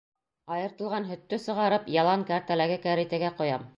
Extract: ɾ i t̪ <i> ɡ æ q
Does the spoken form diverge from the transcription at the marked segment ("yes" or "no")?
yes